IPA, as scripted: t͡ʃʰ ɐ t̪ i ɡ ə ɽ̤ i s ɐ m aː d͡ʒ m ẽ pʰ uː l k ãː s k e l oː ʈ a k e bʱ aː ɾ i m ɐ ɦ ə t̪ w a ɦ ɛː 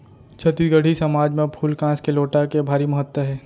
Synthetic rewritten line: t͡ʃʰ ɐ t̪ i ɡ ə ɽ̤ i s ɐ m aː d͡ʒ m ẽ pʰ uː l k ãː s k e l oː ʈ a k e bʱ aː ɾ i m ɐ ɦ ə t̪ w ə ɦ ɛː